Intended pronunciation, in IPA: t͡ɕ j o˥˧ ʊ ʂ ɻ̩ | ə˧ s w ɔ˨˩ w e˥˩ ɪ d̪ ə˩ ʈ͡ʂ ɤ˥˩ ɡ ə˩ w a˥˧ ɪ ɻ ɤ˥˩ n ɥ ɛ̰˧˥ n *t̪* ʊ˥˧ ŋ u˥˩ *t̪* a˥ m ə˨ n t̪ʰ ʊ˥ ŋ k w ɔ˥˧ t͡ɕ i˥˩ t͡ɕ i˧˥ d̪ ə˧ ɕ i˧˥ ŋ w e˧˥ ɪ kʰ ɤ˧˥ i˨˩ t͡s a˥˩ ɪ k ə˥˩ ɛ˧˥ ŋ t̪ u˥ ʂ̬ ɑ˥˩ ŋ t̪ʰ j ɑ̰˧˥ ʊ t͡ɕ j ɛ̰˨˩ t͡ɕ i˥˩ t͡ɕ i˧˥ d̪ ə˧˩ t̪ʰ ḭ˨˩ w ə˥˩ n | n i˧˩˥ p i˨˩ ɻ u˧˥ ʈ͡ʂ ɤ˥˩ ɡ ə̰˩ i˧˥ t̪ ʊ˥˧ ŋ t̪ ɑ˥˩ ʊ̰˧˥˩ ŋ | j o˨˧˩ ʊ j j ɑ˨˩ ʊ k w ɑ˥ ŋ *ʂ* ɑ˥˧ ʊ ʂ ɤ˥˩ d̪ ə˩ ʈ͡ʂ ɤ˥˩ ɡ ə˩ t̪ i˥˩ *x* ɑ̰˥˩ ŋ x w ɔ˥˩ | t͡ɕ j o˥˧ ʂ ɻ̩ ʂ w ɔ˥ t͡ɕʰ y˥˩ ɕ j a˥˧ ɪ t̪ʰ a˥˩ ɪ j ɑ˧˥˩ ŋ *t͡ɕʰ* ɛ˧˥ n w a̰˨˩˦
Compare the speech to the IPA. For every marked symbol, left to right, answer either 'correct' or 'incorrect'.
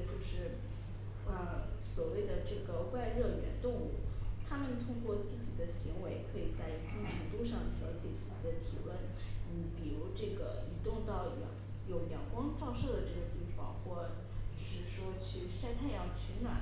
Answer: correct, incorrect: t̪ʰ, incorrect: ʈ͡ʂ, incorrect: f, correct

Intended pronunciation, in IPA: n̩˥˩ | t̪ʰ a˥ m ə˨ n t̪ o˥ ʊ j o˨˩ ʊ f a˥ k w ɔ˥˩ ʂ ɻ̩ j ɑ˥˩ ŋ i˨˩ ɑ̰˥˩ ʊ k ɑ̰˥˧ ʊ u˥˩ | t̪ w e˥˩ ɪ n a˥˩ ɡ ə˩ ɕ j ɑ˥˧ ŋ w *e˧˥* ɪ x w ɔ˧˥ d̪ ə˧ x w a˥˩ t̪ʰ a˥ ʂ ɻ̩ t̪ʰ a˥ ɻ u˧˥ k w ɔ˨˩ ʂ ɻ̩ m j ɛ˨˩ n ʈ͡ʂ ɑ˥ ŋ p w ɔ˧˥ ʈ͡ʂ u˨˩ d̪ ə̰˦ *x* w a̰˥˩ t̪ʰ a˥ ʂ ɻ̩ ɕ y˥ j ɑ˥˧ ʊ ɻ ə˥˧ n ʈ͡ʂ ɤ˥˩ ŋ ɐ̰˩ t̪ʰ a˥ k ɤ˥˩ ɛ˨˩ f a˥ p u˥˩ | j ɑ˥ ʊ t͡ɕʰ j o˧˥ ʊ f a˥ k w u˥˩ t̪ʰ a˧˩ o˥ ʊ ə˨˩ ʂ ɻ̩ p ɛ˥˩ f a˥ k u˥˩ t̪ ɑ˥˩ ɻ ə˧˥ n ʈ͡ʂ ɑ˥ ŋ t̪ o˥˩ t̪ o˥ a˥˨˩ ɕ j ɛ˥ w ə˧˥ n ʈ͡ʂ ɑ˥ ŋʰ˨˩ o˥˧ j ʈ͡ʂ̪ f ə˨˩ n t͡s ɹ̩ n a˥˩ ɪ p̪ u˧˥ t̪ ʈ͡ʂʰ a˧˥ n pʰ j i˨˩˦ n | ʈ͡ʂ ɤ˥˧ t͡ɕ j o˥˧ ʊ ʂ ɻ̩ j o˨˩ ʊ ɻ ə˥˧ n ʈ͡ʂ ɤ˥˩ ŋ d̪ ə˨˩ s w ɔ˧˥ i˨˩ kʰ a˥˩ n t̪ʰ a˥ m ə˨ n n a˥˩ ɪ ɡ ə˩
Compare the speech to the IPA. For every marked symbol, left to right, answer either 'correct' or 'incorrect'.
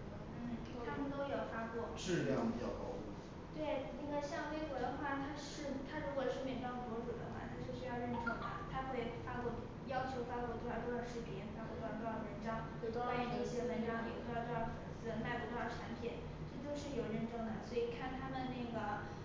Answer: incorrect: e˥, correct

